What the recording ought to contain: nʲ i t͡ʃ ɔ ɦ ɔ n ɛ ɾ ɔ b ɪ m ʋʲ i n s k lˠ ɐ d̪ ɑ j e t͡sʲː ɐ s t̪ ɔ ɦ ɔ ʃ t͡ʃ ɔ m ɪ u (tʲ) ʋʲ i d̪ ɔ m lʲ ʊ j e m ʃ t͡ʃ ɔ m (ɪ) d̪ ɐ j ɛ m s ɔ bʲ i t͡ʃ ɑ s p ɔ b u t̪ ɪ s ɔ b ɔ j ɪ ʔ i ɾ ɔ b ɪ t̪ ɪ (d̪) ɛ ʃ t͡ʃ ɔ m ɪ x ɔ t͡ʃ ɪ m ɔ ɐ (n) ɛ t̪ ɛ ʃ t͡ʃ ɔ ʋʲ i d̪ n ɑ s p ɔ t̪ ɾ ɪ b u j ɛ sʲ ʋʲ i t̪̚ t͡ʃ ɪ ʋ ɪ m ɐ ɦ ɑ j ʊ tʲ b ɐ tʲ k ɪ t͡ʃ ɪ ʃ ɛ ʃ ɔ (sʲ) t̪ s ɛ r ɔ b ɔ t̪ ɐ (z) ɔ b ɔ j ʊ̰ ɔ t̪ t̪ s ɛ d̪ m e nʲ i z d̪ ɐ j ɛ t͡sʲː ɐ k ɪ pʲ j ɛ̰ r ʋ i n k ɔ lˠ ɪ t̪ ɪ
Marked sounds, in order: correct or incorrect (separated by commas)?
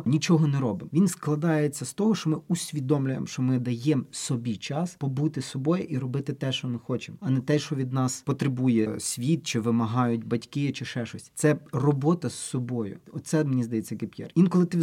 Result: incorrect, correct, incorrect, correct, correct, incorrect